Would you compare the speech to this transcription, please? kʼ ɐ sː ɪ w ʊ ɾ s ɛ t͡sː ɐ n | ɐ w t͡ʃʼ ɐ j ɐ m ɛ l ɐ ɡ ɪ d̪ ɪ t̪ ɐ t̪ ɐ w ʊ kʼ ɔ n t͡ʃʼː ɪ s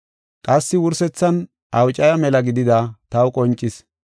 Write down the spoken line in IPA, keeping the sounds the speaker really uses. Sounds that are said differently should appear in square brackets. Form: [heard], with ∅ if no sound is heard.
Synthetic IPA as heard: kʼ ɐ sː ɪ w ʊ ɾ s ɛ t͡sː ɐ n | ɐ w t͡ʃʼ ɐ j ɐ m ɛ l ɐ ɡ ɪ d̪ ɪ [d̪] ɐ t̪ ɐ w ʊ kʼ ɔ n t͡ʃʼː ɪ s